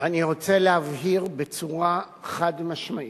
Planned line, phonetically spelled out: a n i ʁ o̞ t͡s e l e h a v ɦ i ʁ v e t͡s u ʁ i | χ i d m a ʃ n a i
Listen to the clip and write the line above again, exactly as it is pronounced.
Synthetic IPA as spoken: a n i ʁ o̞ t͡s e l e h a v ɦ i ʁ b e t͡s u ʁ a | χ a d m a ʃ m a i

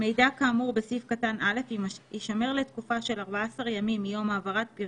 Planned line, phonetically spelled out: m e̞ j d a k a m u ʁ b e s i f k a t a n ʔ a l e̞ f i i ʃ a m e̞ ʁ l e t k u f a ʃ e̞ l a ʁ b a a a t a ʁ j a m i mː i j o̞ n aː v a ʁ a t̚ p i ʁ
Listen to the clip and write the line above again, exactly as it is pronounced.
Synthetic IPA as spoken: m e̞ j d a k a m u ʁ b e s i f k a t a n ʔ a l e̞ f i i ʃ a m e̞ ʁ l e t k u f a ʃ e̞ l a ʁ b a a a s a ʁ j a m i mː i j o̞ m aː v a ʁ a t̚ p i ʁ

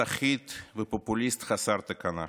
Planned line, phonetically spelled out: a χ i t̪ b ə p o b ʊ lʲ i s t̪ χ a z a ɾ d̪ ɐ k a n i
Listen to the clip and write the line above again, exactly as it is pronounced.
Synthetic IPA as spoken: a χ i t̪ v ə p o p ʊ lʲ i s t̪ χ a s a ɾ t̪ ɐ k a n a

